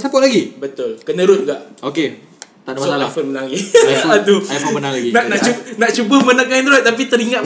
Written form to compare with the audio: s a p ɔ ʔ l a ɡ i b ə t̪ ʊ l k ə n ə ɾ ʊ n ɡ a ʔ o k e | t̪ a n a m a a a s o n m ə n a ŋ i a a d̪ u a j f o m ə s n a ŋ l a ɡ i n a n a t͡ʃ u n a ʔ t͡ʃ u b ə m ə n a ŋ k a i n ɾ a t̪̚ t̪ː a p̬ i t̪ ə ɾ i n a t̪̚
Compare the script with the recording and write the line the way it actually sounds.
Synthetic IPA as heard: s a p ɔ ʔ l a ɡ i b ə t̪ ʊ l k ə n ə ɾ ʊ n ɡ a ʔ o k e | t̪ a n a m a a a f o n m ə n a ŋ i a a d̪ u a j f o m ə n a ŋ l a ɡ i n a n a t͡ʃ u n a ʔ t͡ʃ u b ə m ə n a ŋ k a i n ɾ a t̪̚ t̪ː a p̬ i t̪ ə ɾ i ŋ a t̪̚